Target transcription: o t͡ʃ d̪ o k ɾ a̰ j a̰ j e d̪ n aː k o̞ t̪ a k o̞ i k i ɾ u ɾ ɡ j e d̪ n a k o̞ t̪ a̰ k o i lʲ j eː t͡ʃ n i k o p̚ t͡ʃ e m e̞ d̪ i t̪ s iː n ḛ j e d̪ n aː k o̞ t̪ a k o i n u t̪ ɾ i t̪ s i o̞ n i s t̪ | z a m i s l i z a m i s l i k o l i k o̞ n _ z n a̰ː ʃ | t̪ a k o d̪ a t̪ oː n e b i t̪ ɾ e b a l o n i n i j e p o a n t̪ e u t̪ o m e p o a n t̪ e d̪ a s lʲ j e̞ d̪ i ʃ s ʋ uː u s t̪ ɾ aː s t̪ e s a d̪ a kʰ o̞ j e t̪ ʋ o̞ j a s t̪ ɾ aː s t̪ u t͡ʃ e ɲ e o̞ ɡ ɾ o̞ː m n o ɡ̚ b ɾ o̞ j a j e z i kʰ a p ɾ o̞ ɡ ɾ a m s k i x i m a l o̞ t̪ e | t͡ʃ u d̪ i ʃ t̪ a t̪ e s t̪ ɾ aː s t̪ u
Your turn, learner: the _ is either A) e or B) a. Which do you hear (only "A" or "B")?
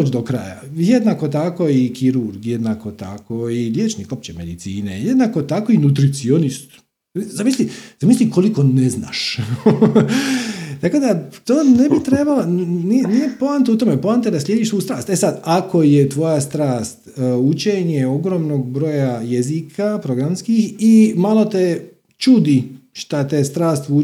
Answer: A